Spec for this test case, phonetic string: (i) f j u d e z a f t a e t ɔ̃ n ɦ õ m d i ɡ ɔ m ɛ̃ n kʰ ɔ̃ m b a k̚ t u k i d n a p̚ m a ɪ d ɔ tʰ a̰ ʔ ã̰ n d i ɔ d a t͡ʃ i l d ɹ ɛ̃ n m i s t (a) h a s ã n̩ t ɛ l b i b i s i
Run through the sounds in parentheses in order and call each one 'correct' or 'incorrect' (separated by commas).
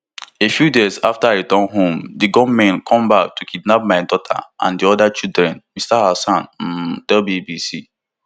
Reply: incorrect, correct